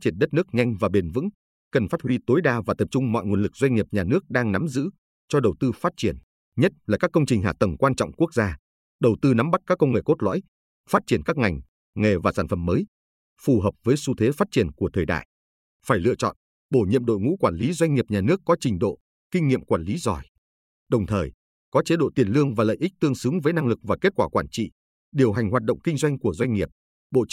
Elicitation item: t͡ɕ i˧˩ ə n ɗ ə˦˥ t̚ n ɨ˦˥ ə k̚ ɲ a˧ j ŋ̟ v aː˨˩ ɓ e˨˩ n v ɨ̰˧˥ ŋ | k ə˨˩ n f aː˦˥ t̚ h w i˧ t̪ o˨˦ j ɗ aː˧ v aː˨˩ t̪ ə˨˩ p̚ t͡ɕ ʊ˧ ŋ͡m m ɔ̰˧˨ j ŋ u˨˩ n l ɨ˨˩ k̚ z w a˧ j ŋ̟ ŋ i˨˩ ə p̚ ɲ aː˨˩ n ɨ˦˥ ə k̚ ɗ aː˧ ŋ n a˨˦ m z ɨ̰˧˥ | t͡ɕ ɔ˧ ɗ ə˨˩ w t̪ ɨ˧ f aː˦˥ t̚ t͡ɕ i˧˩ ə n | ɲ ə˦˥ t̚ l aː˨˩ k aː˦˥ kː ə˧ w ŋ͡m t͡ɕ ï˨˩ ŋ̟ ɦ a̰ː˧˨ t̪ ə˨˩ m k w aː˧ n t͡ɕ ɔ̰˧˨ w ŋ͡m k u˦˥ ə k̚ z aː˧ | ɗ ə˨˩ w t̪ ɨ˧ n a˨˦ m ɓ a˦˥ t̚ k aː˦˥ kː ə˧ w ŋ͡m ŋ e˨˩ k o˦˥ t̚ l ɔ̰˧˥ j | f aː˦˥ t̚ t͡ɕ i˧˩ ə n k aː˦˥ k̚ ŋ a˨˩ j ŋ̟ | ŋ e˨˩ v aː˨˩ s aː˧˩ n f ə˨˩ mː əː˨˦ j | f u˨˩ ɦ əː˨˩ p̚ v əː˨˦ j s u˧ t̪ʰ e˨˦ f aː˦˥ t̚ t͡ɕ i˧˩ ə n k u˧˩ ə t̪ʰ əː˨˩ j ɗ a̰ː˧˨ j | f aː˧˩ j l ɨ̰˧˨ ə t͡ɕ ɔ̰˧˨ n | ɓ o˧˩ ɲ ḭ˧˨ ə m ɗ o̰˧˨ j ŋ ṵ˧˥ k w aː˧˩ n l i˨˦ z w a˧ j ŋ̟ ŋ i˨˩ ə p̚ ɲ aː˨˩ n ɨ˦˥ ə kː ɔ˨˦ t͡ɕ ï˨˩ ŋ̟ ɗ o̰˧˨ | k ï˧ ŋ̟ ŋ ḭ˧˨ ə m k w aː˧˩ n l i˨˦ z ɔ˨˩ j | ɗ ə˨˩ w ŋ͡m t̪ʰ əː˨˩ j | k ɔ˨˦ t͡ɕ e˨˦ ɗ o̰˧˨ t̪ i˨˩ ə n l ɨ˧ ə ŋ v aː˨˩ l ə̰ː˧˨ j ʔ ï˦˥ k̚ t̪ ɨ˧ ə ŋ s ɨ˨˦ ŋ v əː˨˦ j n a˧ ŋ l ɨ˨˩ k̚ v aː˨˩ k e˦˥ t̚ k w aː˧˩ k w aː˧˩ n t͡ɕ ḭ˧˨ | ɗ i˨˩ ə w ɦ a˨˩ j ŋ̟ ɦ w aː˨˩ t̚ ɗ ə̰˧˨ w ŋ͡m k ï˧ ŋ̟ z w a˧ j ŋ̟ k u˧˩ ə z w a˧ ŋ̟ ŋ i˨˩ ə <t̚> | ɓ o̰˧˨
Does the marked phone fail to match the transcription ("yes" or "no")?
yes